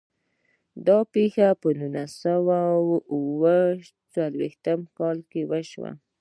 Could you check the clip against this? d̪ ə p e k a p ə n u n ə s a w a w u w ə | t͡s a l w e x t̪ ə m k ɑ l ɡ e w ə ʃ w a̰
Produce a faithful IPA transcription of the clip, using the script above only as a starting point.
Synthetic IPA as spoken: d̪ ɑ p e x a p ə n u n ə s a w a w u w ə | t͡s a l w e x t̪ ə m k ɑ l k e w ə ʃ w a̰